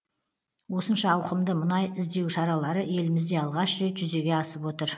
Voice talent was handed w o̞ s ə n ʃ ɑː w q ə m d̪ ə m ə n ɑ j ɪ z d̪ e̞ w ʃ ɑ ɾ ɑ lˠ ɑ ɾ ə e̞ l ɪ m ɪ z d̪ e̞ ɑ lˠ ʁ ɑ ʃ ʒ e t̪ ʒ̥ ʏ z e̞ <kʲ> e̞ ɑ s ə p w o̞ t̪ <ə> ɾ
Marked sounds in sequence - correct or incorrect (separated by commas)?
incorrect, correct